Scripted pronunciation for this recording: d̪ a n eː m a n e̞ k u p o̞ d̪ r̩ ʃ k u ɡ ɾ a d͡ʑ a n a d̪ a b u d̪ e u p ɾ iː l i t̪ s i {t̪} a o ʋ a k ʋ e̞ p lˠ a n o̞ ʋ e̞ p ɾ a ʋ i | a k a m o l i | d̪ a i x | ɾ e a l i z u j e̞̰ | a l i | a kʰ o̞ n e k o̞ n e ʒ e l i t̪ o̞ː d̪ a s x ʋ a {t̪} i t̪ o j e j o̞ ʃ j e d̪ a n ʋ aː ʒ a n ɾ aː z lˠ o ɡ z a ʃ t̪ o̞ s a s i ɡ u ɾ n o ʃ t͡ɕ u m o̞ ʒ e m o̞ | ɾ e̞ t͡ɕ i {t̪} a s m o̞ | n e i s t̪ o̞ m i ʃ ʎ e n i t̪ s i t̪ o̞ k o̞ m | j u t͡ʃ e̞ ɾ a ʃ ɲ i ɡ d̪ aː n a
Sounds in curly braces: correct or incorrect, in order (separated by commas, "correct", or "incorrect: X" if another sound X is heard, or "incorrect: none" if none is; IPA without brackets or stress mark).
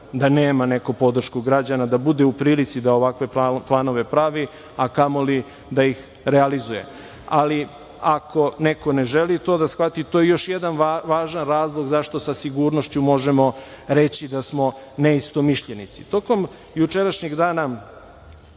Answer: incorrect: d̪, correct, incorrect: d̪